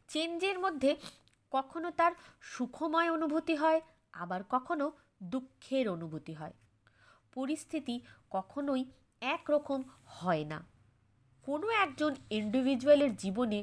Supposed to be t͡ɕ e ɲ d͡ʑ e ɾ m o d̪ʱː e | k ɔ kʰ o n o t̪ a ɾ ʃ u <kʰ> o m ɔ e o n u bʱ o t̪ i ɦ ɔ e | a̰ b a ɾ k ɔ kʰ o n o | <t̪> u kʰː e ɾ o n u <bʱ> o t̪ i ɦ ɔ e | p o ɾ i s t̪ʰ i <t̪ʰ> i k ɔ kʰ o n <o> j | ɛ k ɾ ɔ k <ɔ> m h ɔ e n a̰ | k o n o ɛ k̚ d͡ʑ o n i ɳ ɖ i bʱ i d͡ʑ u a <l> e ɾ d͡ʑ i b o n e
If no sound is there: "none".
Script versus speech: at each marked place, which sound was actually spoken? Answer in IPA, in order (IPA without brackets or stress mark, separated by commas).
kʰ, d̪, bʱ, t̪, o, o, l